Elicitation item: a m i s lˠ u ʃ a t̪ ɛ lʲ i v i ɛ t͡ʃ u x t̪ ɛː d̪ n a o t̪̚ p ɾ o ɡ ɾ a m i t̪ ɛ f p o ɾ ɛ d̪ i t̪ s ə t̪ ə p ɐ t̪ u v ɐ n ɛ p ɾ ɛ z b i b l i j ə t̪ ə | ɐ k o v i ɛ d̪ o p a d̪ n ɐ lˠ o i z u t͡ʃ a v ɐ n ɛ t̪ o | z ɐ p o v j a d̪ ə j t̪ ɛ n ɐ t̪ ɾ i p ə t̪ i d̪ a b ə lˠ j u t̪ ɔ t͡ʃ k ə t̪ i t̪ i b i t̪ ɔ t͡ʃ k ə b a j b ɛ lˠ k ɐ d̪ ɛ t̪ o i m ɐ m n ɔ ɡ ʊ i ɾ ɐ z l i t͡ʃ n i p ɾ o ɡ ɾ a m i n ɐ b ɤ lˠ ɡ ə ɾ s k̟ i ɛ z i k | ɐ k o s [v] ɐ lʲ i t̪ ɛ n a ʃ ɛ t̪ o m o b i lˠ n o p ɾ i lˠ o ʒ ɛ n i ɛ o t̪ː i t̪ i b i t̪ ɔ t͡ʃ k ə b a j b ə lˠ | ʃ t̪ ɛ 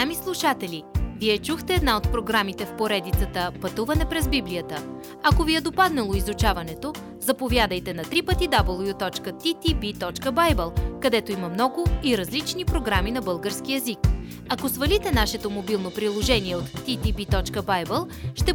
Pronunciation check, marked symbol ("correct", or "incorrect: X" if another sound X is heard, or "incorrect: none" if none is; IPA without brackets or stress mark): correct